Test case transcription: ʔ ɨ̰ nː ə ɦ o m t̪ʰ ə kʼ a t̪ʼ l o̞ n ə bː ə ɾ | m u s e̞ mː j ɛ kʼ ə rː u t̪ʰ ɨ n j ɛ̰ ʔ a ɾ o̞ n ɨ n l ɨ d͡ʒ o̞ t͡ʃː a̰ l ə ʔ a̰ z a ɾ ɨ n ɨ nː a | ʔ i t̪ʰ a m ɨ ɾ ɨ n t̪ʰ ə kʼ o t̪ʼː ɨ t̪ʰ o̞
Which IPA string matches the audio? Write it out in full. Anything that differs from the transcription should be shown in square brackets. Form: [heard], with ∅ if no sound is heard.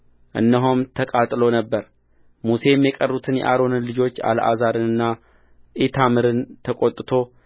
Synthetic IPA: ʔ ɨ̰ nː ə ɦ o m t̪ʰ ə kʼ a t̪ʼ l o̞ n ə bː ə ɾ | m u s e̞ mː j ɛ kʼ ə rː u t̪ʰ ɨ n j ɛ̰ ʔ a ɾ o̞ n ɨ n l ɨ d͡ʒ o̞ t͡ʃː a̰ l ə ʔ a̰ z a ɾ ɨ n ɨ nː a | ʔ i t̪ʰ a m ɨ ɾ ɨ n t̪ʰ ə kʼ o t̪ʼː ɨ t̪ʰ o̞